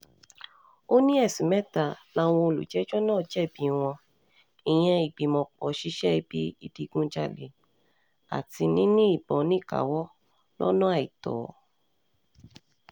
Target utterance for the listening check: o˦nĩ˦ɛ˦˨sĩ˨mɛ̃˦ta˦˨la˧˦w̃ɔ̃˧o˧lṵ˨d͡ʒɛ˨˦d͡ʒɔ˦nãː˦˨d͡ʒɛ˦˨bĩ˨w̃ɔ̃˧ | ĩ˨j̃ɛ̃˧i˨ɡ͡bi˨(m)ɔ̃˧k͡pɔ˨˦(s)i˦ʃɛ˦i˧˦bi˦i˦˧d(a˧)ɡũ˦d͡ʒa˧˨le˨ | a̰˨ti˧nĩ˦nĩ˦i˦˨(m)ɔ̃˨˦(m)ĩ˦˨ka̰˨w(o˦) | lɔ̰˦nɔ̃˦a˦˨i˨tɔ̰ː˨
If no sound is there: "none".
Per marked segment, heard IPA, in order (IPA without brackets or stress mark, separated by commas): m, ʃ, i˧, b, n, ɔ˦